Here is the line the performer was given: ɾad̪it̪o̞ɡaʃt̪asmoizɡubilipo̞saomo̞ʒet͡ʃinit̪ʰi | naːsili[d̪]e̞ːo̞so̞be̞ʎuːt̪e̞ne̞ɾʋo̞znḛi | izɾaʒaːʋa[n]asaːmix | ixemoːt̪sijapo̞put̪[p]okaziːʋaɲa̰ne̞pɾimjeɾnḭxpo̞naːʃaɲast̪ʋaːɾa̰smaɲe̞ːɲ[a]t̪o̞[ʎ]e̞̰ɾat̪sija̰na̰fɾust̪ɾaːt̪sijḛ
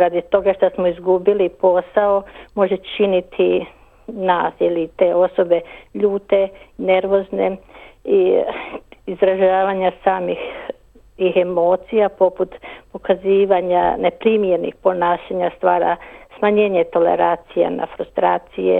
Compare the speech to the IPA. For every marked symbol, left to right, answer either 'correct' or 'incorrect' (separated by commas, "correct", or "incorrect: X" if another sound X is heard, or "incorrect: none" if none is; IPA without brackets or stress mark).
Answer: incorrect: t̪, incorrect: ɲ, correct, incorrect: e, incorrect: l